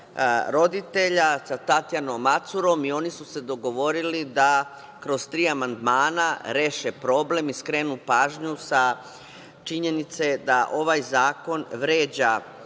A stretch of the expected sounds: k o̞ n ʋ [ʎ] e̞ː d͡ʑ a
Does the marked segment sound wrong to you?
yes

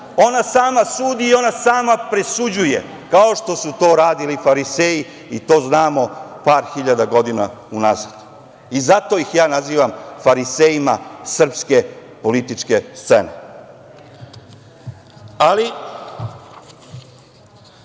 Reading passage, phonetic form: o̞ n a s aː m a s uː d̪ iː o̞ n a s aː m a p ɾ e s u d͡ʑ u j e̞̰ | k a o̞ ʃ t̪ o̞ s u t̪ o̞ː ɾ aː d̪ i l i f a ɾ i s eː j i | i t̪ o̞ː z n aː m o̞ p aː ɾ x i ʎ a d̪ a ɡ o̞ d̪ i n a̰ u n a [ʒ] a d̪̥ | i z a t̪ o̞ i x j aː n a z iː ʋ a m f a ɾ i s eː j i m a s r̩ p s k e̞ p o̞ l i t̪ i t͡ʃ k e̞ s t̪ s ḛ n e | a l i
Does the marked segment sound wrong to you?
yes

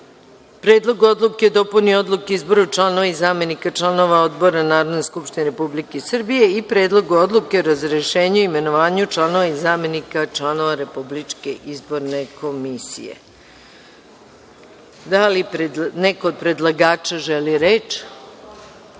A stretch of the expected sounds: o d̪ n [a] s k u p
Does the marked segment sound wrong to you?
yes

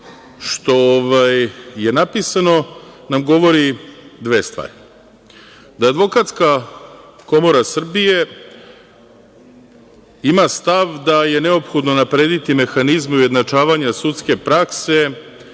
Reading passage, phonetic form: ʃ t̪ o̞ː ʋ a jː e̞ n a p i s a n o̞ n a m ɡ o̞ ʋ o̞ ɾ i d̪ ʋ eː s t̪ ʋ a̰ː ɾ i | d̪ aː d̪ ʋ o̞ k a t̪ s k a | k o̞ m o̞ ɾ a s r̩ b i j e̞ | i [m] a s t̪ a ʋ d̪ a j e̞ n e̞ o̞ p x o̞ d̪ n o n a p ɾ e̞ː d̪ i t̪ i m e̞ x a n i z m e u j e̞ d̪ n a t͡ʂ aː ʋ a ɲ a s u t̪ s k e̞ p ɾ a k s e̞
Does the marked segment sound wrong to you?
no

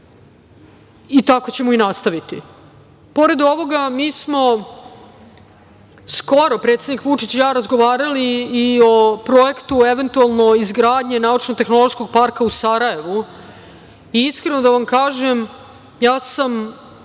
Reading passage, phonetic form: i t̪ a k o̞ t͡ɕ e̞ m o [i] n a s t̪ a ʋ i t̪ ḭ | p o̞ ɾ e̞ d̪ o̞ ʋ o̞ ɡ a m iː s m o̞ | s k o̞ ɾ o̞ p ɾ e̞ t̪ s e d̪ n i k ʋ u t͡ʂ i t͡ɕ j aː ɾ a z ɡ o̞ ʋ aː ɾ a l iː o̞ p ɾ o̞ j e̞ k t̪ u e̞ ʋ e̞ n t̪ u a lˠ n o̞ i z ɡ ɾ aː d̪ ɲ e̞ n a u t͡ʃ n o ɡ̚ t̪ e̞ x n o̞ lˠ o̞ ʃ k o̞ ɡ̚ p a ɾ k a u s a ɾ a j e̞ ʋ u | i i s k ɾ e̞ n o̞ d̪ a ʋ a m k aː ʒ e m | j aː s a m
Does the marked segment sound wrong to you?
no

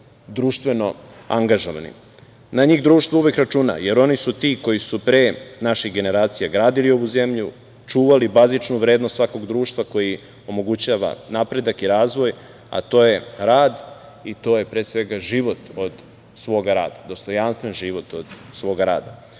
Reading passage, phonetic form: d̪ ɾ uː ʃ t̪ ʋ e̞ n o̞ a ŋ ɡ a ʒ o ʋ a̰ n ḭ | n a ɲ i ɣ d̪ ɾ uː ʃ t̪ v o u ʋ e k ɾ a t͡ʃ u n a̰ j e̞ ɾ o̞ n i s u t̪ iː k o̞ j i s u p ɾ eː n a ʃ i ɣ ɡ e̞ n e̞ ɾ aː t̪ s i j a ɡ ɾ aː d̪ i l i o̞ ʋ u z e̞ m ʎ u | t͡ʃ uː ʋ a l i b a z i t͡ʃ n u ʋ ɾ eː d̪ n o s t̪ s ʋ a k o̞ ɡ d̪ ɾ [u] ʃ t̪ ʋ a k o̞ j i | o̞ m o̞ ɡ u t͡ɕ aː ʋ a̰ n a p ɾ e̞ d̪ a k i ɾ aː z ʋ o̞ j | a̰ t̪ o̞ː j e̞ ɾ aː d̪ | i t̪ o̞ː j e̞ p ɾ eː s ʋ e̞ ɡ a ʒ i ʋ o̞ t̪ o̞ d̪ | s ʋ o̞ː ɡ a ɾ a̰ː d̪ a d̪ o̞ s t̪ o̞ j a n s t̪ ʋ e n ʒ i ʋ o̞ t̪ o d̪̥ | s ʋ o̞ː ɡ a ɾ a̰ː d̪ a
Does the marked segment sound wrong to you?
yes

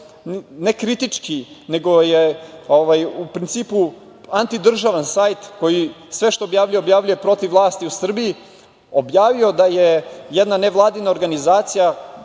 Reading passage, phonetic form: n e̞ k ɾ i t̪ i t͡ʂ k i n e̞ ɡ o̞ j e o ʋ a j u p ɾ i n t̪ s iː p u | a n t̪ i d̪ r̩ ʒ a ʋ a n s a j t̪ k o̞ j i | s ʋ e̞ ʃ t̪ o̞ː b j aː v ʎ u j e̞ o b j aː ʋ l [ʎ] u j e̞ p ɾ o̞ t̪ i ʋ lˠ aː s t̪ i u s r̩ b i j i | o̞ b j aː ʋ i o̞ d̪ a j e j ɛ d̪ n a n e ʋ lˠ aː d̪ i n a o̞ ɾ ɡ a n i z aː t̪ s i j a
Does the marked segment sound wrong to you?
no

